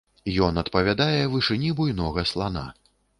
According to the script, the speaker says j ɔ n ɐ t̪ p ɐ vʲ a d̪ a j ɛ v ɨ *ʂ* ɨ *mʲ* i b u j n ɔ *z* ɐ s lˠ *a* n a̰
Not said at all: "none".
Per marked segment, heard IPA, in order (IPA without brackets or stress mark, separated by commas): ʂ, nʲ, ɣ, a